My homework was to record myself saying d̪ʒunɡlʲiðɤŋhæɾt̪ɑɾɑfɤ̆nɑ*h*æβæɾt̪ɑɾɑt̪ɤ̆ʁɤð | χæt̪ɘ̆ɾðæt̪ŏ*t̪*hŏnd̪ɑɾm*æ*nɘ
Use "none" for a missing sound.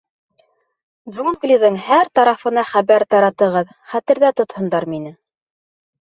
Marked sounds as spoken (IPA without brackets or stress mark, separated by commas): χ, t̪, i